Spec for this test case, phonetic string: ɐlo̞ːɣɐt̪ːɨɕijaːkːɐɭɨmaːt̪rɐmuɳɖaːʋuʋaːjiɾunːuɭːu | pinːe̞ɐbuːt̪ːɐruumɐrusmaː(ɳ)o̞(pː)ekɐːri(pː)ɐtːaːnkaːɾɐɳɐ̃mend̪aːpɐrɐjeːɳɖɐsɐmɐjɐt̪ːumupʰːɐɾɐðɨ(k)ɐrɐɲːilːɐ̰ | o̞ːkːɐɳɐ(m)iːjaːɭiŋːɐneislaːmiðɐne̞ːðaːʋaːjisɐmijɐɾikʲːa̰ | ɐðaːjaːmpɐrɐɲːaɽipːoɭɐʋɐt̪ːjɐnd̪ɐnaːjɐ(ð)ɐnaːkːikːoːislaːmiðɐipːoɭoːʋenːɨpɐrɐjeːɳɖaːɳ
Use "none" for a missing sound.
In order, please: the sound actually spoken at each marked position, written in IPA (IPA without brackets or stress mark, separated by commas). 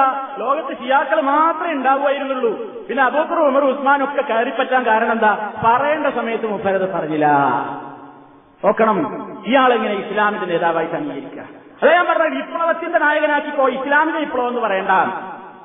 n, kː, pː, p, m, ɣ